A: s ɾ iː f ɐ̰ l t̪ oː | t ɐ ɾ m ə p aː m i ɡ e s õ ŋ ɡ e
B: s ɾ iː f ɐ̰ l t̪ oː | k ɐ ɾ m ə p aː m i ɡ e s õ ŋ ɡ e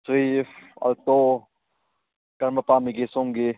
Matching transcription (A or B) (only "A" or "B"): B